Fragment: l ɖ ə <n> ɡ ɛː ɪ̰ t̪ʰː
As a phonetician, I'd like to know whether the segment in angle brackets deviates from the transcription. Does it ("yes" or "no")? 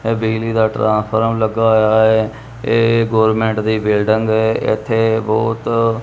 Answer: yes